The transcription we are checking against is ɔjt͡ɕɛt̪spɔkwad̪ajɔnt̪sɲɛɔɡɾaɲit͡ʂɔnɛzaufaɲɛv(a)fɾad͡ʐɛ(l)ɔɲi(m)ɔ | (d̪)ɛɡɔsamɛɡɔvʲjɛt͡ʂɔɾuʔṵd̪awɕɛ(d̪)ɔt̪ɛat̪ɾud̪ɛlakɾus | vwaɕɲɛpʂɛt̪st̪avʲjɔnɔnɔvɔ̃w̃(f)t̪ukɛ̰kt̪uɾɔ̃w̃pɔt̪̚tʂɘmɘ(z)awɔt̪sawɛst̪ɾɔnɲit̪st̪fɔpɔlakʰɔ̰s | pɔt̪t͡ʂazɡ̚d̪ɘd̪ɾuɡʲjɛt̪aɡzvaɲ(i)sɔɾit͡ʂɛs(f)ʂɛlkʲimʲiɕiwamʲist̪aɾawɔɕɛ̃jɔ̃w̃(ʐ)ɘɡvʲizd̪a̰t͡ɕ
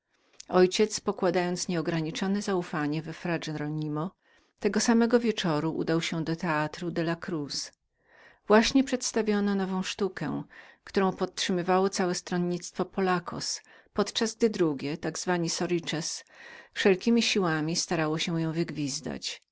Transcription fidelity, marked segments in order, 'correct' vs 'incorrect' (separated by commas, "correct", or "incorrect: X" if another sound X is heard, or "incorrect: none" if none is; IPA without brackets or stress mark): incorrect: ɛ, incorrect: ɾ, correct, incorrect: t̪, correct, incorrect: ʂ, incorrect: v, correct, correct, incorrect: v